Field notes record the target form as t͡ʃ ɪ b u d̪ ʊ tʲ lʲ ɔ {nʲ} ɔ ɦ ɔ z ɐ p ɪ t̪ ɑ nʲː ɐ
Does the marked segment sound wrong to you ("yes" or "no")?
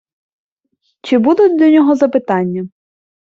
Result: no